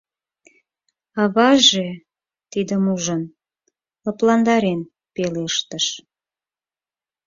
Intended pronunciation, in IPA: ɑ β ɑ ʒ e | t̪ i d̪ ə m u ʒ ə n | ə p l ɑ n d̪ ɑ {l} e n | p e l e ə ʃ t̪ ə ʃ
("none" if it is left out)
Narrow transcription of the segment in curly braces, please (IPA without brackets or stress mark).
ɾ